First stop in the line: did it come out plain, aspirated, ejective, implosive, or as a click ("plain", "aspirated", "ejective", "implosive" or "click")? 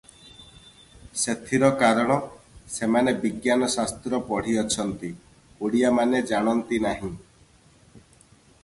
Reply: aspirated